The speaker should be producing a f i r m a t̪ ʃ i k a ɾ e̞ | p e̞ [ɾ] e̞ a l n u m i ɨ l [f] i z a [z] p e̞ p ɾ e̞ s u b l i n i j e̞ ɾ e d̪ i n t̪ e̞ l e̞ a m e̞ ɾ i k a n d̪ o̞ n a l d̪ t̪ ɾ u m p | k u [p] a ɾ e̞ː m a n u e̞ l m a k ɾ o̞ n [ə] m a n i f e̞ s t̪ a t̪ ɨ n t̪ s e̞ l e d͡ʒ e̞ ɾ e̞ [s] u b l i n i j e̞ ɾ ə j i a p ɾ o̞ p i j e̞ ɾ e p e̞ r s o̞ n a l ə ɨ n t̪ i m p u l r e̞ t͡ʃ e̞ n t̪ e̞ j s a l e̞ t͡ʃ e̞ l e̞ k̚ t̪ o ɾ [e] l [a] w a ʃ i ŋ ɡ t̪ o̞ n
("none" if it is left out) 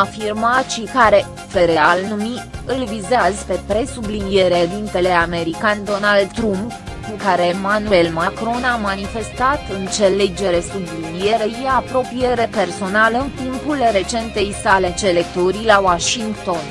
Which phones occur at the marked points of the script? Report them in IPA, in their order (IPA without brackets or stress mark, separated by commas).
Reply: ɾ, v, z, k, a, s, i, a